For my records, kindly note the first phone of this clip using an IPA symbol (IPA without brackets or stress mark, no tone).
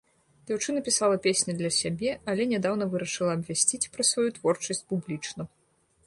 d͡zʲ